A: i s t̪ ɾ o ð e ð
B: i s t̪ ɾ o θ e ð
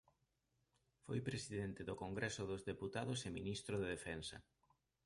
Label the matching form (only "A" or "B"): A